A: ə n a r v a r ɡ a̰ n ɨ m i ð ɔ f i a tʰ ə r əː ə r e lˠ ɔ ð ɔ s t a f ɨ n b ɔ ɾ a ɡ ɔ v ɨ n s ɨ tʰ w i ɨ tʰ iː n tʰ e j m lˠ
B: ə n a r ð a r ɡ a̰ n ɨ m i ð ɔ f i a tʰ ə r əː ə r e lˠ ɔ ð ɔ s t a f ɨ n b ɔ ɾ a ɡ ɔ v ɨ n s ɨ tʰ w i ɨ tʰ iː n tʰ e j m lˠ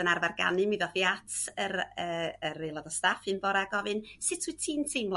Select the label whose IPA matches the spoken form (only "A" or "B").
A